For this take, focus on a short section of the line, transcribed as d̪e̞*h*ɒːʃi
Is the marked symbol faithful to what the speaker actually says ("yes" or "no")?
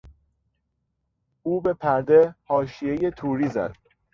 yes